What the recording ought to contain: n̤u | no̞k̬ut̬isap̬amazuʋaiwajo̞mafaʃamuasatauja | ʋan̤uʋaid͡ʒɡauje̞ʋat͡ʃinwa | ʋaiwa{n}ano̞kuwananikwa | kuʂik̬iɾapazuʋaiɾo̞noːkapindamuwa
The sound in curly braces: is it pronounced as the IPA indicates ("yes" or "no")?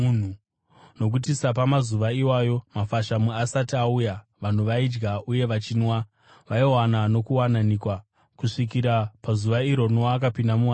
yes